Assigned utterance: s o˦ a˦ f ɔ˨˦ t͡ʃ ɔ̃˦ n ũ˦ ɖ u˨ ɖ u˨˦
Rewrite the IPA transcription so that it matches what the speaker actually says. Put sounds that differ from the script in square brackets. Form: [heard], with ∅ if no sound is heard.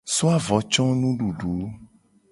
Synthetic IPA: s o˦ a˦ [v] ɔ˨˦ t͡ʃ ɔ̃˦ n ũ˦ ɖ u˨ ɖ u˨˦